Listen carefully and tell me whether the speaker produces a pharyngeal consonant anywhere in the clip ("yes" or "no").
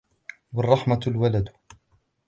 yes